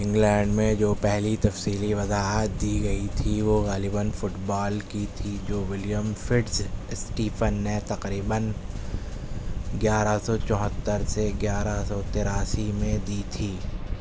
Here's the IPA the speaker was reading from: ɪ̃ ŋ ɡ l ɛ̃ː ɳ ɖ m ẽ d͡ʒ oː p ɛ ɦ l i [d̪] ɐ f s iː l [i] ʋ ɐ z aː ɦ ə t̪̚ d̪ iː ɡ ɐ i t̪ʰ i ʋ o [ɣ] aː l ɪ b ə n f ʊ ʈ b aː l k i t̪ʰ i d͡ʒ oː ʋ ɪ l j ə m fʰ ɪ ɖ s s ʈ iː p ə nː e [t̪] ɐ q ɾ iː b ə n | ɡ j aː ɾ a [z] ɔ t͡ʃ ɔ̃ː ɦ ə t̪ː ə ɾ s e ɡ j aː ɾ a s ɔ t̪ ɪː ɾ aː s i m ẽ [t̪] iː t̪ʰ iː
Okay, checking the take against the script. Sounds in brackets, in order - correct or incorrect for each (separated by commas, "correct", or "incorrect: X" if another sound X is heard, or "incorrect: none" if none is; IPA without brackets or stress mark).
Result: incorrect: t̪, correct, correct, correct, incorrect: s, incorrect: d̪